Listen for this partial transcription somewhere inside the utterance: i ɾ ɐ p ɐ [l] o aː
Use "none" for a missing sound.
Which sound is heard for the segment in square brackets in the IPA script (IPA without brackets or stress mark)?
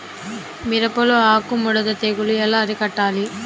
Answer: l